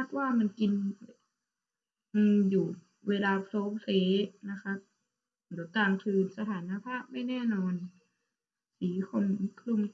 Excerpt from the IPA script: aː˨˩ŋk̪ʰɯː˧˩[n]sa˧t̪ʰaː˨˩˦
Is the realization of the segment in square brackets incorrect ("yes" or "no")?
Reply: no